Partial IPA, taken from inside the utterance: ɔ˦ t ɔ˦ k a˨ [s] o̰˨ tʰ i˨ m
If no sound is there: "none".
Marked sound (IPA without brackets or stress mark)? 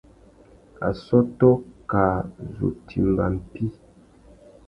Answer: z